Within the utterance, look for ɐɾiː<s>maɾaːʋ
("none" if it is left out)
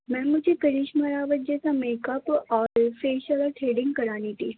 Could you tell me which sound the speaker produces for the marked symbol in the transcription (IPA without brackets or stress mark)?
ʃ